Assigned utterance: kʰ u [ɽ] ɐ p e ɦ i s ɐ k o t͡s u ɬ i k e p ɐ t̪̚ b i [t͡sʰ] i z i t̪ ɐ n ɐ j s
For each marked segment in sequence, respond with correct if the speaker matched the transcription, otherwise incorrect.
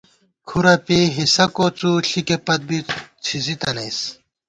incorrect: ɾ, correct

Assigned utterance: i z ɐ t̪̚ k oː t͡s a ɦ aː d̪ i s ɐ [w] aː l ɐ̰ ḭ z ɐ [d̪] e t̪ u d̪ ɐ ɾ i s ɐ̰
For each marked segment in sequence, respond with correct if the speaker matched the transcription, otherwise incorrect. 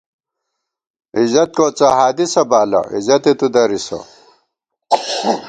incorrect: b, incorrect: t̪

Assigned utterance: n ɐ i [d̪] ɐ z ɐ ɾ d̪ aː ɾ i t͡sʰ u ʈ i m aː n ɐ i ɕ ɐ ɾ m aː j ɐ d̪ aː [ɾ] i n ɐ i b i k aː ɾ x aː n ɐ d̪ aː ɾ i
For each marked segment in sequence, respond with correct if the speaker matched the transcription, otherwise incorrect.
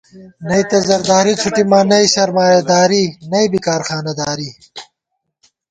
incorrect: t̪, correct

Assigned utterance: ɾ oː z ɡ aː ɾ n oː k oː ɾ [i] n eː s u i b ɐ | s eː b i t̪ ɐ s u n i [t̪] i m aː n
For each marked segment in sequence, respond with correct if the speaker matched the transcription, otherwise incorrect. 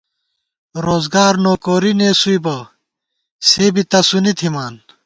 correct, incorrect: t̪ʰ

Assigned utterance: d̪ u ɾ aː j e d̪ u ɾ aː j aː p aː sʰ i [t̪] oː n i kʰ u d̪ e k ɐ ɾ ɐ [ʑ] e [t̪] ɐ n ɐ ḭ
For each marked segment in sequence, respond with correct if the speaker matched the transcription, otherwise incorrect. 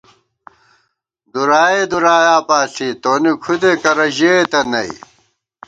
correct, correct, correct

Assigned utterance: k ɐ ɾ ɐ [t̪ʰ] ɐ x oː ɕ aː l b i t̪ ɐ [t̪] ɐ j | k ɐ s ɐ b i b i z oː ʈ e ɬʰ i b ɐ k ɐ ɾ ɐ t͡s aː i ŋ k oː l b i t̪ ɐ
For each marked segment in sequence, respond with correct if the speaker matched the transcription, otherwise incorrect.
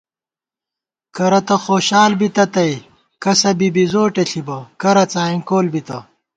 incorrect: t̪, correct

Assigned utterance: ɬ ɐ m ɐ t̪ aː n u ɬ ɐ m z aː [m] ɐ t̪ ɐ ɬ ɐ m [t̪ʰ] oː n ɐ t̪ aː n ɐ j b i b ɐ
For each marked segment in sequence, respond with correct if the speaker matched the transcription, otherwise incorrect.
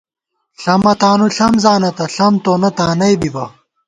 incorrect: n, incorrect: t̪

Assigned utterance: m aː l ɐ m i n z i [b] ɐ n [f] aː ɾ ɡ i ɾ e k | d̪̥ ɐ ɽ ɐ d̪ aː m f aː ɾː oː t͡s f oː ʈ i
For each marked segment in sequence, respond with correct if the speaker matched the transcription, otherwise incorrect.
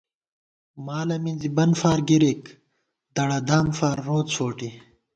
correct, correct

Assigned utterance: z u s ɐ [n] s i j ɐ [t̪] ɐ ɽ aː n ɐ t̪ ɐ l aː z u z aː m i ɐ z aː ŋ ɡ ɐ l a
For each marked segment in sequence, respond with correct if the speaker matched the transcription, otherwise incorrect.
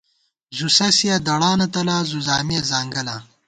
incorrect: none, incorrect: d̪

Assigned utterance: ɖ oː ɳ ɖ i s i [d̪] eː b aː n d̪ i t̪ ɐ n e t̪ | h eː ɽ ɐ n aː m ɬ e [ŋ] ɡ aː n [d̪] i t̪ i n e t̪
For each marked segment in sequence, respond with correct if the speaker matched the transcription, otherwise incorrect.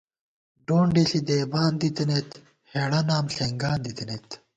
correct, correct, correct

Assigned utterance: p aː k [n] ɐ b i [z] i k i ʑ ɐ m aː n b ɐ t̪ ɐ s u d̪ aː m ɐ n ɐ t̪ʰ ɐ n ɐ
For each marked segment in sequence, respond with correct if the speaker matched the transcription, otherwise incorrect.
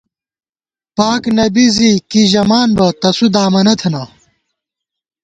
correct, correct

